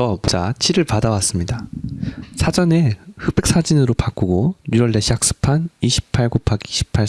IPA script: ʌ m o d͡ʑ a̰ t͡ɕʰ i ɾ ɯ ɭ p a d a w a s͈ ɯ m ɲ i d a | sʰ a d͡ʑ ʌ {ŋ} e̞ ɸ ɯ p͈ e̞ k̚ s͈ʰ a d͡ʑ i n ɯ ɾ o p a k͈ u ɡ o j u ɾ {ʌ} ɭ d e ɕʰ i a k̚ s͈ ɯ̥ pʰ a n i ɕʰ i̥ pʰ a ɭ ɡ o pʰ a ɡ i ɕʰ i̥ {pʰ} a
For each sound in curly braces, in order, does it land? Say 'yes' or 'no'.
no, yes, yes

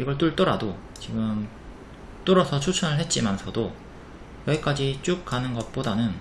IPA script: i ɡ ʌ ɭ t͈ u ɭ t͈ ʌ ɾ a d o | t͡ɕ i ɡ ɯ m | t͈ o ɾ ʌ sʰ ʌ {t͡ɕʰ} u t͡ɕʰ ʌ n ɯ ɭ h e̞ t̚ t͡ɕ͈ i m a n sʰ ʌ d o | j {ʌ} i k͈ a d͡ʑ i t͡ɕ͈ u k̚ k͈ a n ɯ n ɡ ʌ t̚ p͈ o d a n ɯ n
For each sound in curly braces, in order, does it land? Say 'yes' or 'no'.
yes, yes

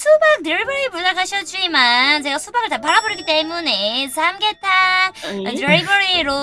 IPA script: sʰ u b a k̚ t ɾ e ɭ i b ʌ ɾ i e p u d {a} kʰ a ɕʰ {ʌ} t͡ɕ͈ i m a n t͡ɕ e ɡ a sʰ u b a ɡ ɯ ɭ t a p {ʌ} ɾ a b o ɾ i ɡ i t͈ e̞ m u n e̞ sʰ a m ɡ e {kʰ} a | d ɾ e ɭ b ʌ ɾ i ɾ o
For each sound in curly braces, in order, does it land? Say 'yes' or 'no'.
yes, yes, no, no

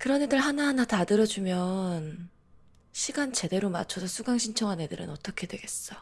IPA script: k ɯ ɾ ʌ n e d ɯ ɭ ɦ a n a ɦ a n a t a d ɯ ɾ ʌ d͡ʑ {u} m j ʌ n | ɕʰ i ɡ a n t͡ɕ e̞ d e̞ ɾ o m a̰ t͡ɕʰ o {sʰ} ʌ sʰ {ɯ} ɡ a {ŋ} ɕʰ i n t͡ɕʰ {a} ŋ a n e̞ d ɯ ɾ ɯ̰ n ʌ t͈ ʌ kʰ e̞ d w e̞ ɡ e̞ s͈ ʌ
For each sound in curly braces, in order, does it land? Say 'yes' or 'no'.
yes, yes, no, yes, no

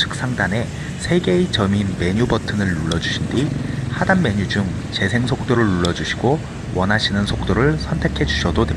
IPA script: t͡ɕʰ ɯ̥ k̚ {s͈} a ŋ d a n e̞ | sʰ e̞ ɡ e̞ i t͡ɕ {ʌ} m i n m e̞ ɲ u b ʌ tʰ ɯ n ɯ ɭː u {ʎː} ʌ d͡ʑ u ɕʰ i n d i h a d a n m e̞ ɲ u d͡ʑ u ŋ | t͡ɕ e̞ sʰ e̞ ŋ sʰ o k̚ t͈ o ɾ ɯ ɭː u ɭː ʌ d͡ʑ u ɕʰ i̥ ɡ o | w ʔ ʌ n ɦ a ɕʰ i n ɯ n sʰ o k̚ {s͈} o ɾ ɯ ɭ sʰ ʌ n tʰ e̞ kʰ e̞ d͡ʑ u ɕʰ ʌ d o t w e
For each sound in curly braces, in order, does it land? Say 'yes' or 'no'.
yes, yes, no, no

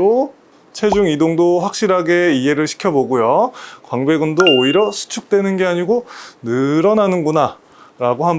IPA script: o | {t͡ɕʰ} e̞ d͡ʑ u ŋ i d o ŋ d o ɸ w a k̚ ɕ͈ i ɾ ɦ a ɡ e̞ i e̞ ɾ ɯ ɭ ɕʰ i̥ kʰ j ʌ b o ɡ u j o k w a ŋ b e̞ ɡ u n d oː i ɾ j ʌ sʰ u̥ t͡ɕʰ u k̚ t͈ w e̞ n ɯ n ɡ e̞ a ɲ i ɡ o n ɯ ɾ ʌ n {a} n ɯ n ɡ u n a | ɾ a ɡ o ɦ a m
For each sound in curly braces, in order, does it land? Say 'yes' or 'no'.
yes, yes

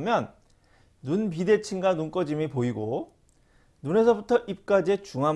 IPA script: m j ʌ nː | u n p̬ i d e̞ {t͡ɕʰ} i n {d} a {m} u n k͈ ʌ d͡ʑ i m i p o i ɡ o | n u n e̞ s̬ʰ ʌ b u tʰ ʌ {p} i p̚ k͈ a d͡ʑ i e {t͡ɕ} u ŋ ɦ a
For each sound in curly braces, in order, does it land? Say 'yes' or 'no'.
yes, no, no, no, yes

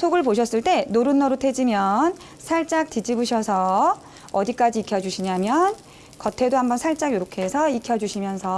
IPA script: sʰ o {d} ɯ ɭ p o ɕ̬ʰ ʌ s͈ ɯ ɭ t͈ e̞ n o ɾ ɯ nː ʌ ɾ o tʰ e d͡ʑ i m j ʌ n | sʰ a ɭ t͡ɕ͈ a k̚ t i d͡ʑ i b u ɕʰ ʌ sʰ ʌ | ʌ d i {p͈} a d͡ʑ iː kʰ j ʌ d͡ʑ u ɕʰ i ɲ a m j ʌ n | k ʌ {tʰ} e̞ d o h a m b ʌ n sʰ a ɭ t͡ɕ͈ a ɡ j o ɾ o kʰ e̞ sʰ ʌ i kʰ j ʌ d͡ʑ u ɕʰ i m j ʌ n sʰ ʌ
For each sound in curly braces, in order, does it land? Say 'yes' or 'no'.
no, no, yes

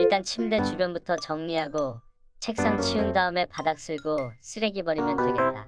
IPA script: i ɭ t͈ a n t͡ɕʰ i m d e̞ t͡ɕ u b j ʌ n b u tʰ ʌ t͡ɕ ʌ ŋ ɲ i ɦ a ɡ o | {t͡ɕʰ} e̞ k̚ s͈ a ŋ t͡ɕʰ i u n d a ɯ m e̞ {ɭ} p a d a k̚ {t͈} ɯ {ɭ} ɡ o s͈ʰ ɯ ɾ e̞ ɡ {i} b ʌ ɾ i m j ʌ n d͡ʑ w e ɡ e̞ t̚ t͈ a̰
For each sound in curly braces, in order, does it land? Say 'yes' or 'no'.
yes, no, no, yes, yes

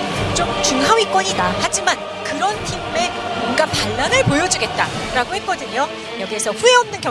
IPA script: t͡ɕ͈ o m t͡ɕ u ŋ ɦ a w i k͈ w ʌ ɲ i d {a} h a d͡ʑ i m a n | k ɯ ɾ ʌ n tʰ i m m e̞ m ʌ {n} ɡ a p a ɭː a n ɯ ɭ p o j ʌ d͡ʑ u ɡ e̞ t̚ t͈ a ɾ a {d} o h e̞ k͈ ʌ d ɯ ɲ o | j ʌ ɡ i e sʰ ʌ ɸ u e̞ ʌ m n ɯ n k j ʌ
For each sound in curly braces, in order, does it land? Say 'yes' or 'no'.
yes, yes, no

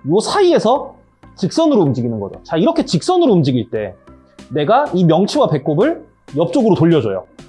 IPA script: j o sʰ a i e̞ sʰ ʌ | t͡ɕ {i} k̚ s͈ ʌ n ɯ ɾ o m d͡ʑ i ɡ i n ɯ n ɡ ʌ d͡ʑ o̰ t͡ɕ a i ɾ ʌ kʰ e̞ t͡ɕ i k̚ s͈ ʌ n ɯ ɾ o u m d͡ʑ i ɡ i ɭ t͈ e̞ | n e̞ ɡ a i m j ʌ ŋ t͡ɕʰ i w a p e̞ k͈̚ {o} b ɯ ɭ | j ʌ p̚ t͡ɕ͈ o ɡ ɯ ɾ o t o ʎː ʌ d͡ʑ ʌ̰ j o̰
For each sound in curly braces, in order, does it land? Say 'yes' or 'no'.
yes, yes

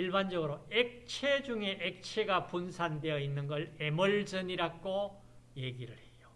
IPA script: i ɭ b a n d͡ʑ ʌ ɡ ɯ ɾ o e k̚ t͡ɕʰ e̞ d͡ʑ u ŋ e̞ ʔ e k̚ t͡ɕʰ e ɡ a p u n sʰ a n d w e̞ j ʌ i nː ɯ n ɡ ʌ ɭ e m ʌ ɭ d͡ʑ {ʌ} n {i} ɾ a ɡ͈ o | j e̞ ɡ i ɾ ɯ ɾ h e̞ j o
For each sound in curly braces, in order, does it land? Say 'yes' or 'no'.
yes, yes

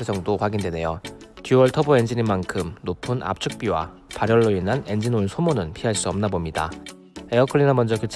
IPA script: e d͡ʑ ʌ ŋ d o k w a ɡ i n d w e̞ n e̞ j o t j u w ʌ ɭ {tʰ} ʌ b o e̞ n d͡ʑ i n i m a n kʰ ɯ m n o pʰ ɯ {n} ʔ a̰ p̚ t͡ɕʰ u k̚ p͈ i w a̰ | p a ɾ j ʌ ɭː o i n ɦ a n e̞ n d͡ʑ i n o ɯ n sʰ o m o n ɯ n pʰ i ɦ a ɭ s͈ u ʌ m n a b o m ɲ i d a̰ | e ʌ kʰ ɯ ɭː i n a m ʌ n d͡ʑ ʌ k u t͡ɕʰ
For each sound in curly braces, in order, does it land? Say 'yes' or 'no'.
yes, yes

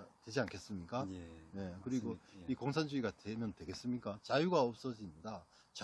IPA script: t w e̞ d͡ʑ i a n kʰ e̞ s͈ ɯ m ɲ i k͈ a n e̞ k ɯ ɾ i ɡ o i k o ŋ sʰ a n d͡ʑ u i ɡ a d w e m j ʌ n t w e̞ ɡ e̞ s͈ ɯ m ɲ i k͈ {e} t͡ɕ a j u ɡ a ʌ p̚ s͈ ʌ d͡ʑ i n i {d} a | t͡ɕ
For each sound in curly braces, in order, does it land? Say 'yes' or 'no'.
no, yes

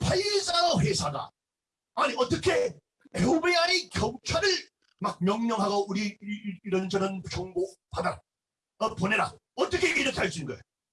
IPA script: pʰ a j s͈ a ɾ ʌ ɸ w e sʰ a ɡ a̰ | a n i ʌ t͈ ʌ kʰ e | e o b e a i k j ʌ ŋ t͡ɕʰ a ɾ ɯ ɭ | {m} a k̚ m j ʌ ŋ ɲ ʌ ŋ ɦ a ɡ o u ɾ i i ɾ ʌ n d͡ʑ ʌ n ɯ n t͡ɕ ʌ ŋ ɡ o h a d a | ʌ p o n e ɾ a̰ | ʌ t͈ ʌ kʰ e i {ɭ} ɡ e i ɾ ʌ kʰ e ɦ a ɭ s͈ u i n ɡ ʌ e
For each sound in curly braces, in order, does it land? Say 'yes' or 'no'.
yes, no

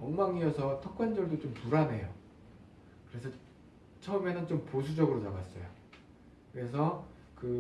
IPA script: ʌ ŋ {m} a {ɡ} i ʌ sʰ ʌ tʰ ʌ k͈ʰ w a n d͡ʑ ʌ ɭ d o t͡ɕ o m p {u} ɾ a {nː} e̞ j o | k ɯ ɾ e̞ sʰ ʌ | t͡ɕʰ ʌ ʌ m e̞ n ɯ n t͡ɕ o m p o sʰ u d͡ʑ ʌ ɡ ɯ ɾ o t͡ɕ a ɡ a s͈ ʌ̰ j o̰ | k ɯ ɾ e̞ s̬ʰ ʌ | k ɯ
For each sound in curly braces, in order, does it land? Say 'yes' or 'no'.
yes, no, yes, no

